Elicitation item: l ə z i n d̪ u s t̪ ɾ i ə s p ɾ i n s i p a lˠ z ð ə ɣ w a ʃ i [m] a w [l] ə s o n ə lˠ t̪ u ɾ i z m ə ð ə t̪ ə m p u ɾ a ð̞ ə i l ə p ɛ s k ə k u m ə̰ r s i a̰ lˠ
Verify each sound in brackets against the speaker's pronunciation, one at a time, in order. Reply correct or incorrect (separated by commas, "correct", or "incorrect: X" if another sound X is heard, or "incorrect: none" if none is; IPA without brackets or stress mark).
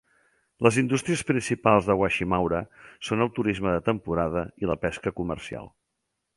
correct, incorrect: ɾ